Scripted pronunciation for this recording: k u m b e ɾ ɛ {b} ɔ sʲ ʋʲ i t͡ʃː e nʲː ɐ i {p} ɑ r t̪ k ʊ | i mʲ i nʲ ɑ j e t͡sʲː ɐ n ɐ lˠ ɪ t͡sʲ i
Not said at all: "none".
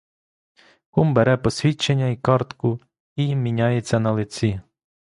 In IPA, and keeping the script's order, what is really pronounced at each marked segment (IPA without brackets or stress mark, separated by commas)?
p, k